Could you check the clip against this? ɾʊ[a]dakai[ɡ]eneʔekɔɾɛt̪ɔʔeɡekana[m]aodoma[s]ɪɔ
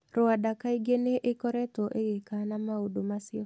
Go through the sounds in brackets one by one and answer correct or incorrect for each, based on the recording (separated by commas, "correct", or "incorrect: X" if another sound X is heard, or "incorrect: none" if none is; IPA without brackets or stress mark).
correct, correct, correct, correct